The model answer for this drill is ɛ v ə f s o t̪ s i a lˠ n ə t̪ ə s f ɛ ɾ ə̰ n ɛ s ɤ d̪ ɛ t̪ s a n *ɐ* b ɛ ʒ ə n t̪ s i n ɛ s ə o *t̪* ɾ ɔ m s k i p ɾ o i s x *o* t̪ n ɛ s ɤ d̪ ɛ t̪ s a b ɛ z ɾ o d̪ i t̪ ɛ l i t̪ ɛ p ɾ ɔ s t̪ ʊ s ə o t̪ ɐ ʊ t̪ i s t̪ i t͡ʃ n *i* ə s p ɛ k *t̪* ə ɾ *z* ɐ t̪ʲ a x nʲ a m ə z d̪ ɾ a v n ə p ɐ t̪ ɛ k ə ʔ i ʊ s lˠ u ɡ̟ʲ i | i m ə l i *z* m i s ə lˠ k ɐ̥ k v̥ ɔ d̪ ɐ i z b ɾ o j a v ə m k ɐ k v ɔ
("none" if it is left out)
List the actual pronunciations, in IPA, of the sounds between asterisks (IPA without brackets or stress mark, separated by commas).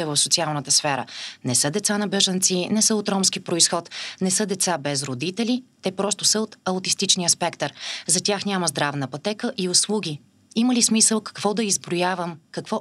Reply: ɐ, t̪, ɔ, i, t̪, z, s